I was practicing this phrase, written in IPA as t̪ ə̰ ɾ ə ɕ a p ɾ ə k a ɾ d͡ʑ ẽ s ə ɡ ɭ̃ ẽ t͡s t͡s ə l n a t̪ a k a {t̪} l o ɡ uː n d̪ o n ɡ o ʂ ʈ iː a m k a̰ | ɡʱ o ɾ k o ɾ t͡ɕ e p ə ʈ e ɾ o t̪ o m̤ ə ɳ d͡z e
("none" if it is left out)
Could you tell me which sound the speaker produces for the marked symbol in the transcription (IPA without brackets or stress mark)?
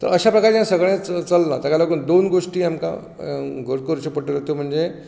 none